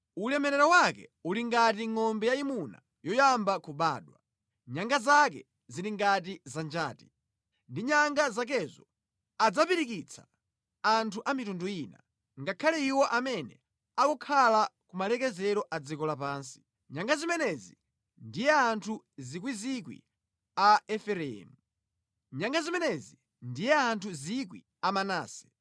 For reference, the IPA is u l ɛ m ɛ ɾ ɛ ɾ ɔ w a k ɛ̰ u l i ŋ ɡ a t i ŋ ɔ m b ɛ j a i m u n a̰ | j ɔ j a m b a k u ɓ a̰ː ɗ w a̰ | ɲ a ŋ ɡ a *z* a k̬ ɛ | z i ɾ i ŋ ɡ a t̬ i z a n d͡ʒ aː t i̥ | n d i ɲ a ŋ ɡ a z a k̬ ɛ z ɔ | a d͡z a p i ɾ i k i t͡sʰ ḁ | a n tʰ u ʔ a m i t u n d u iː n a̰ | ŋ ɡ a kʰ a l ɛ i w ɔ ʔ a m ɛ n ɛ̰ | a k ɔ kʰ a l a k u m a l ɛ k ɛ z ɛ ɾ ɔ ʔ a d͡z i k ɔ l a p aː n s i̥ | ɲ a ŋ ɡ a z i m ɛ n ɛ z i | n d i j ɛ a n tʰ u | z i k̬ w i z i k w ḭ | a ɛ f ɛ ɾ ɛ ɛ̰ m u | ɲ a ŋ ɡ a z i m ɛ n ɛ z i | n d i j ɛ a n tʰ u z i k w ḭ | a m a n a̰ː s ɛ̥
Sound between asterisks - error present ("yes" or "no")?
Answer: no